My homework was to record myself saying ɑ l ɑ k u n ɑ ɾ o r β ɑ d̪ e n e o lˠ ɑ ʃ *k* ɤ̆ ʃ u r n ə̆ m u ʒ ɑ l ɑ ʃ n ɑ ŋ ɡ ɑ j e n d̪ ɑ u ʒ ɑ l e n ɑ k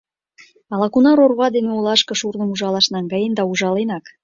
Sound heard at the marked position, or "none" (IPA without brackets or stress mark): k